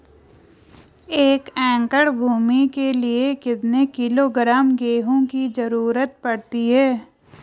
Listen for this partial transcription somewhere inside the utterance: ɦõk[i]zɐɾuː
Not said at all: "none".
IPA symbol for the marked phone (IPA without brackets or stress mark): i